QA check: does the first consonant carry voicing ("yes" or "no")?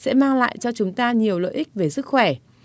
no